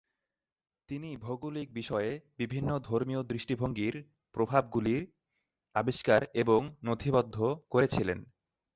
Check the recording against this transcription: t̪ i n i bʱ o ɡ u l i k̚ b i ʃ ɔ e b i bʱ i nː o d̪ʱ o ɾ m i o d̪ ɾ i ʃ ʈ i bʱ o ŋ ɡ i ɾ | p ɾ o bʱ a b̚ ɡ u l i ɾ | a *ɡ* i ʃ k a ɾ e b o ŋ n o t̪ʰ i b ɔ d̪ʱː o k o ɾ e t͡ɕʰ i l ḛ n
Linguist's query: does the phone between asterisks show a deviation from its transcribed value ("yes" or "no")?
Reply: yes